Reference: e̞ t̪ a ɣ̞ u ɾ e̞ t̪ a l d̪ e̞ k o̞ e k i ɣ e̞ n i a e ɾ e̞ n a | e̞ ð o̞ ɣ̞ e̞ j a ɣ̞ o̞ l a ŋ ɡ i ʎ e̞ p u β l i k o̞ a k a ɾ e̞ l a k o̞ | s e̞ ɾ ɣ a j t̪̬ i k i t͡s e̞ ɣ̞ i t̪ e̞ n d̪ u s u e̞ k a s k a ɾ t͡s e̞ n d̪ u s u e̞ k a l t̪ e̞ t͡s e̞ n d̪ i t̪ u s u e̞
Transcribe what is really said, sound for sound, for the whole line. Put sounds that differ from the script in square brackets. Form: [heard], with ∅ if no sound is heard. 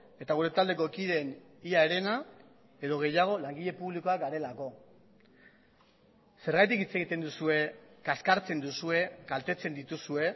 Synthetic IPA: e̞ t̪ a ɣ̞ u ɾ e̞ t̪ a l d̪ e̞ k o̞ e k i [ð] e̞ n i a e ɾ e̞ n a | e̞ ð o̞ ɣ̞ e̞ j a ɣ̞ o̞ l a ŋ ɡ i ʎ e̞ p u β l i k o̞ a [ɡ] a ɾ e̞ l a k o̞ | s e̞ ɾ ɣ a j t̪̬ i k i t͡s e̞ ɣ̞ i t̪ e̞ n d̪ u s u e̞ k a s k a ɾ t͡s e̞ n d̪ u s u e̞ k a l t̪ e̞ t͡s e̞ n d̪ i t̪ u s u e̞